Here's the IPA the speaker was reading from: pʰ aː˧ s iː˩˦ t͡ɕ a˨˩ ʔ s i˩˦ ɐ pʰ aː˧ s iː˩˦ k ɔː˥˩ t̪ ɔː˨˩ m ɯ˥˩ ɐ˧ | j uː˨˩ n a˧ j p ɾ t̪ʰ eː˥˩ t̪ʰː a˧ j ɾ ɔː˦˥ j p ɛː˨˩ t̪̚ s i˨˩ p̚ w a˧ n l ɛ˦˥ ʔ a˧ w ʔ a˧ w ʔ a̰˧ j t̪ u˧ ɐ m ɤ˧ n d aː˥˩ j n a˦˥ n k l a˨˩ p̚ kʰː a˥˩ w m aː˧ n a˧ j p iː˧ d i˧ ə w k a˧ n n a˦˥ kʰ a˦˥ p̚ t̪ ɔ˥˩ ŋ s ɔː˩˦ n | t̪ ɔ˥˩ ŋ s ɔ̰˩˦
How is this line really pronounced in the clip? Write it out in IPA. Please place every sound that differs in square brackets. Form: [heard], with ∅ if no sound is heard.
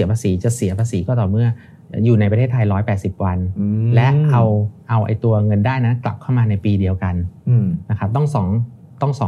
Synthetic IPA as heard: pʰ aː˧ s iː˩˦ t͡ɕ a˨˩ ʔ s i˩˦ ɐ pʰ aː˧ s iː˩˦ k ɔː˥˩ t̪ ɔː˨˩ m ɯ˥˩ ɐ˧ | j uː˨˩ n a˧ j p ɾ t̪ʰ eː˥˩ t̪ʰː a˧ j ɾ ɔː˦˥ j p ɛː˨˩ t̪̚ s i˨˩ p̚ w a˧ n l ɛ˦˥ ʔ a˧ w ʔ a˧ w ʔ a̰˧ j t̪ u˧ ɐ [ŋ] ɤ˧ n d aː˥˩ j n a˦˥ n k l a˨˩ p̚ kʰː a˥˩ w m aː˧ n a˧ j p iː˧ d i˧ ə w k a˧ n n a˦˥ kʰ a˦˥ p̚ t̪ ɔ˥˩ ŋ s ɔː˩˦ [ŋ] | t̪ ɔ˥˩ ŋ s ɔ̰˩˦